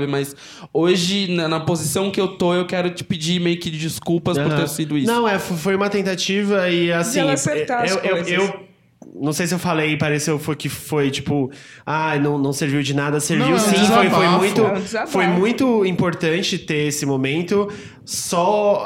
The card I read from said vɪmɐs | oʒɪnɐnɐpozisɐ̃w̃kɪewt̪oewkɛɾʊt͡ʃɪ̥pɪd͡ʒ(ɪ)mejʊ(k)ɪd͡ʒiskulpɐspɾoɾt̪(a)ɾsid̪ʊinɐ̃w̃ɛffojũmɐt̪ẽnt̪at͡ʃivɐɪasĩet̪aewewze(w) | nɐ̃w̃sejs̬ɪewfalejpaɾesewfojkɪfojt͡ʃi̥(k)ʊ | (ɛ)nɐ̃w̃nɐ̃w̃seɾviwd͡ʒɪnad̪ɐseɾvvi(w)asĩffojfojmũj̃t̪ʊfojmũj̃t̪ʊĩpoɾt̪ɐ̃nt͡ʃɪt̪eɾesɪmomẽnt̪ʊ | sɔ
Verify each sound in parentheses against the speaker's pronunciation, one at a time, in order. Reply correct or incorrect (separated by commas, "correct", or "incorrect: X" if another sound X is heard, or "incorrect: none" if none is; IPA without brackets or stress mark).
incorrect: i, correct, incorrect: e, correct, incorrect: p, incorrect: a, correct